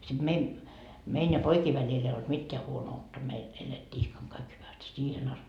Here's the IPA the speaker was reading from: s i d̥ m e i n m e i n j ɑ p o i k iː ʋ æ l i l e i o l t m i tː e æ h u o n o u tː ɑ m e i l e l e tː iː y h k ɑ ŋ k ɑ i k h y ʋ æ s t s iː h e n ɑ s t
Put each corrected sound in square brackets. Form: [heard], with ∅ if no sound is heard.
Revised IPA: s i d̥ m e i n m e i n j ɑ p o i k iː ʋ æ l i l e i o l t m i tː e æ h u o n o u tː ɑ m e i l e l e tː iː [i] h k ɑ ŋ k ɑ i k h y ʋ æ s t s iː h e n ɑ s t